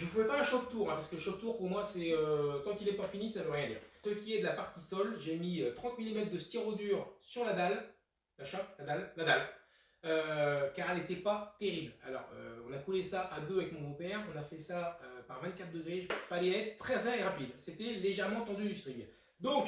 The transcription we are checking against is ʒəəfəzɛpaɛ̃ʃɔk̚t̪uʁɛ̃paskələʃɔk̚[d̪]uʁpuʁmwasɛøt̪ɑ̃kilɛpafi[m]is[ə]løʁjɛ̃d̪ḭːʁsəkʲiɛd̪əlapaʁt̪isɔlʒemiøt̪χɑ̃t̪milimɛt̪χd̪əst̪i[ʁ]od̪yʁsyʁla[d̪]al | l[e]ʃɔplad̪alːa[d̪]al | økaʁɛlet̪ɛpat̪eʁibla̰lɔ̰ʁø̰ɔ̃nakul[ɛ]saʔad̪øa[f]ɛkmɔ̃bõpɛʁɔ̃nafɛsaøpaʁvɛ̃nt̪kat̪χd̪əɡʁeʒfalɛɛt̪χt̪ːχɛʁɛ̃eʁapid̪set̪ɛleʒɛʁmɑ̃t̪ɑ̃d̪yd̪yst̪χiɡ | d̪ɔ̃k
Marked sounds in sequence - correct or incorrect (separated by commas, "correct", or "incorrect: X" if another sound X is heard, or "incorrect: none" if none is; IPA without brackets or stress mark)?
incorrect: t̪, incorrect: n, incorrect: a, correct, correct, incorrect: a, correct, incorrect: e, incorrect: v